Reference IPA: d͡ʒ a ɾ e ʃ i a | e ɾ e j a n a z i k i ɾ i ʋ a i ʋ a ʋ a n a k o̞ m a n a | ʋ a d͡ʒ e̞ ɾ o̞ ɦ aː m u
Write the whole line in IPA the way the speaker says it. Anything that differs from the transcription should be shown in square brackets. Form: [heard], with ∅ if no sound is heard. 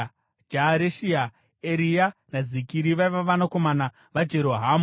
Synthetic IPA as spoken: d͡ʒ a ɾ e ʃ i a | e ɾ [i] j a n a z i k i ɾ i ʋ a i ʋ a ʋ a n a k o̞ m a n a | ʋ a d͡ʒ e̞ ɾ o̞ ɦ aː m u